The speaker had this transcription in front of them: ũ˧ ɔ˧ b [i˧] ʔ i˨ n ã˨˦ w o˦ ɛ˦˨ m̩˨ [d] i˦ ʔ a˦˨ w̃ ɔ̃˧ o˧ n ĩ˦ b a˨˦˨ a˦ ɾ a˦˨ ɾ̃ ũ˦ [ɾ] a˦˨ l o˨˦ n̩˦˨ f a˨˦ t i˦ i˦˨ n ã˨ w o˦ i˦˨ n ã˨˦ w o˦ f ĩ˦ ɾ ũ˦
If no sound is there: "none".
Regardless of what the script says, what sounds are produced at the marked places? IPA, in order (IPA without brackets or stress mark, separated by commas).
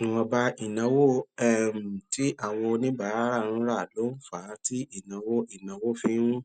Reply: a˧, t, ɾ